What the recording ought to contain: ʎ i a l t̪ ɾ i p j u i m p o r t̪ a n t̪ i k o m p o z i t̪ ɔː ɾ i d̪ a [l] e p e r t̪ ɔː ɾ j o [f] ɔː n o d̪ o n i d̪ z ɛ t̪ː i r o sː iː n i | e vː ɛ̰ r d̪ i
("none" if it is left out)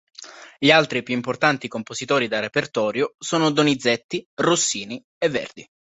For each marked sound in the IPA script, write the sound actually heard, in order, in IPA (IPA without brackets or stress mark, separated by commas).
r, s